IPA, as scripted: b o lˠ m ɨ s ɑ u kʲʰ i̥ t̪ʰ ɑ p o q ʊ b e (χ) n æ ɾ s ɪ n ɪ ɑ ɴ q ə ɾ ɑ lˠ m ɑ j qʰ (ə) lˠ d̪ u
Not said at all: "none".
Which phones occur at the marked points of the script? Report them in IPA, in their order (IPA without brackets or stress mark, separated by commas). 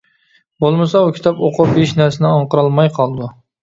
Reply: ʃ, ɑ